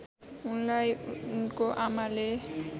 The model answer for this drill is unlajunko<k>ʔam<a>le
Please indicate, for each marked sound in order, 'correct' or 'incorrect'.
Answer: incorrect, correct

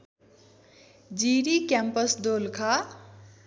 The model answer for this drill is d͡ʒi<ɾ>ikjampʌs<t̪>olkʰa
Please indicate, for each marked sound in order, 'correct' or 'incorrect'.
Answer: correct, incorrect

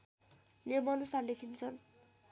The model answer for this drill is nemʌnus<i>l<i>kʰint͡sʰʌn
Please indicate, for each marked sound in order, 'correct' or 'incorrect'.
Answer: incorrect, incorrect

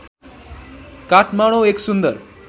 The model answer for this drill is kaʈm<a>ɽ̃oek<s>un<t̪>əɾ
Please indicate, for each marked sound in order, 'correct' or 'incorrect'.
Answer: correct, correct, incorrect

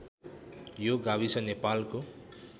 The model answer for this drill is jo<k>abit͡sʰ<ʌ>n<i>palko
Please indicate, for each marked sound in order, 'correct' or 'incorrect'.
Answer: incorrect, correct, incorrect

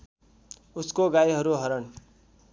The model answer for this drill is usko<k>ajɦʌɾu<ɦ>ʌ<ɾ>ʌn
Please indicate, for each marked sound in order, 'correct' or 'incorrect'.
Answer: incorrect, correct, correct

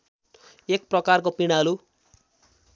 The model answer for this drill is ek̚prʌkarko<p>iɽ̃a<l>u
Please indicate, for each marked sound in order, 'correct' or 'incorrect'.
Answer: correct, correct

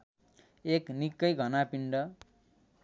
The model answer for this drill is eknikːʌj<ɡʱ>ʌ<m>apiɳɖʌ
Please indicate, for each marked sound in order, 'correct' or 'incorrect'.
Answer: correct, incorrect

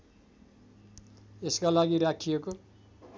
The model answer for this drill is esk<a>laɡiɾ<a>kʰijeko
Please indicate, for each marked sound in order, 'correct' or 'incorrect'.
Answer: correct, correct

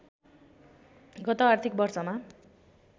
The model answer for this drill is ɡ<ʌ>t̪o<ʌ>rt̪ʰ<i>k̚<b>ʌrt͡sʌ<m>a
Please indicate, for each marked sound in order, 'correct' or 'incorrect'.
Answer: correct, incorrect, correct, correct, correct

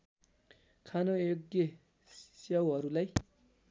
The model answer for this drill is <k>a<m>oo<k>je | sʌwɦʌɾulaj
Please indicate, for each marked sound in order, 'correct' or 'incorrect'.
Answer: incorrect, incorrect, incorrect

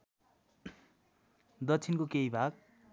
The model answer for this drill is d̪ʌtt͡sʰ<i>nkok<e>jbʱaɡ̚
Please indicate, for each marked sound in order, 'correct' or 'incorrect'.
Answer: correct, correct

